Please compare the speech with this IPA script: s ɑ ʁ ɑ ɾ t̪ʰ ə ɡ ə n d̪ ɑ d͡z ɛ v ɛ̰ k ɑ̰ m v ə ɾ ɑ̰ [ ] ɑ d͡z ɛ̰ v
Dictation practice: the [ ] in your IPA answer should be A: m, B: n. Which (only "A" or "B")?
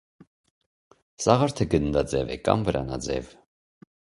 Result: B